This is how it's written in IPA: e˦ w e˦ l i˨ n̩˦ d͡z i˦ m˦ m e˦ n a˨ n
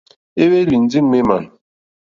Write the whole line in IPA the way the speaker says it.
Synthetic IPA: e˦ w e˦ l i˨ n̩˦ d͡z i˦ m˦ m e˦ m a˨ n